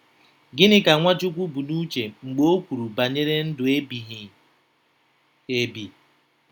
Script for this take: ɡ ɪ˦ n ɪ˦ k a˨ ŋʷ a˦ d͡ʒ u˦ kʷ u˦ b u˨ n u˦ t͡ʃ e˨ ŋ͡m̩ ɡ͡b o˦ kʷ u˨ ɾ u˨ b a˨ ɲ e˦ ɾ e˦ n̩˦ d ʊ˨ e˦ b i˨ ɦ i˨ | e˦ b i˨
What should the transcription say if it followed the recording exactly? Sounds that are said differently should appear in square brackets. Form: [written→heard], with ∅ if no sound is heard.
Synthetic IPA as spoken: ɡ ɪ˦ n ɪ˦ k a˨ ŋʷ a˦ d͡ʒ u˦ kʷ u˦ b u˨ n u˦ t͡ʃ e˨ ŋ͡m̩ ɡ͡b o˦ kʷ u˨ ɾ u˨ b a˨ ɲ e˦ ɾ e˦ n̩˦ d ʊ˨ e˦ b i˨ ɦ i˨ | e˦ b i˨